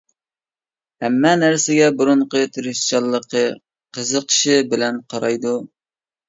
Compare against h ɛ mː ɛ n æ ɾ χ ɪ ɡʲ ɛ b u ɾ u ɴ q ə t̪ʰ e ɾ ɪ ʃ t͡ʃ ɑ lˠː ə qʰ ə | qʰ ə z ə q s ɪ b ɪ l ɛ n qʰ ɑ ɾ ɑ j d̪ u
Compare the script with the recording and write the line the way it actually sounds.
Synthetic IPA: h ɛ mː ɛ n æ ɾ s ɪ ɡʲ ɛ b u ɾ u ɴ q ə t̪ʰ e ɾ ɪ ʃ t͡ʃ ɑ lˠː ə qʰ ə | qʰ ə z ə q ʃ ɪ b ɪ l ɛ n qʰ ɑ ɾ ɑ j d̪ u